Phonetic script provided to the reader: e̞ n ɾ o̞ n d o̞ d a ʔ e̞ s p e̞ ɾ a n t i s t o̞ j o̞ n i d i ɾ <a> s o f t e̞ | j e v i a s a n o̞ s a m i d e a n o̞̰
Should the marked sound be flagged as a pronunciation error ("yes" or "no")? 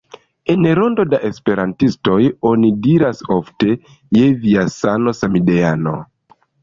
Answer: no